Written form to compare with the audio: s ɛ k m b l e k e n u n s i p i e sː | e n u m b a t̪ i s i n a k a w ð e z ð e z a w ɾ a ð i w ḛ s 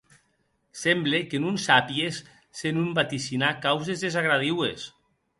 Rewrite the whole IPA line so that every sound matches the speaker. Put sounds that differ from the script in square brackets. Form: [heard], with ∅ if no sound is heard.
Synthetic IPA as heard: s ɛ [∅] m b l e k e n u n s [a] p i e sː | e n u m b a t̪ i s i n a k a w [z] e z ð e z a [ɣ] ɾ a ð i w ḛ s